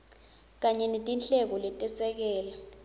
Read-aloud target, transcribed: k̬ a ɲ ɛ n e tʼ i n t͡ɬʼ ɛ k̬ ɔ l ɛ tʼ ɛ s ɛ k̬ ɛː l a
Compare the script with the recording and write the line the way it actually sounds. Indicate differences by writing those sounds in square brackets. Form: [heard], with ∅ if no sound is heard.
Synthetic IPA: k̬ a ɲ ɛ n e tʼ i n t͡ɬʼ ɛ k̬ ɔ l ɛ tʼ ɛ s ɛ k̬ ɛː l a